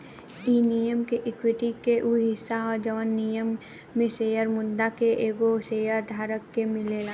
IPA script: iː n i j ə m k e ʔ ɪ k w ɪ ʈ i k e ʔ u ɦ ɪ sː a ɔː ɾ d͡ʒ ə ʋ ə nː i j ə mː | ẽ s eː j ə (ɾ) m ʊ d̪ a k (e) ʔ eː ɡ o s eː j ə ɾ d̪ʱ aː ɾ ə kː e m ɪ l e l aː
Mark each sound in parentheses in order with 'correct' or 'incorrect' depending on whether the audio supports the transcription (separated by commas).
correct, correct